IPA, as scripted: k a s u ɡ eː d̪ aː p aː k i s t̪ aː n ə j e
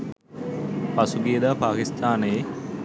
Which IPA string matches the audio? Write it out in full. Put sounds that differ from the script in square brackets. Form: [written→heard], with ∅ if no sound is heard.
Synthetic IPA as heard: [k→p] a s u ɡ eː d̪ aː p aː k i s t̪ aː n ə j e